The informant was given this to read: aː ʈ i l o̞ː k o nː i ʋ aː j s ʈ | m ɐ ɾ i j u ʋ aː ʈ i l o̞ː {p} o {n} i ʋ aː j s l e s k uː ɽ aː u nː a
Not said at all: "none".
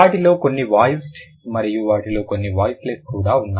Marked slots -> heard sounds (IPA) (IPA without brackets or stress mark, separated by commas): k, nː